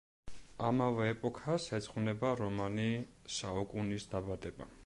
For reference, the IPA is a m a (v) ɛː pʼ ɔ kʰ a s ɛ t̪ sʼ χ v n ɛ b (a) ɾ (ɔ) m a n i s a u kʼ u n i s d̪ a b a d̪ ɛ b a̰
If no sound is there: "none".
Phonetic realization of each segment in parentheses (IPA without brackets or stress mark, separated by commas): v, a, ɔ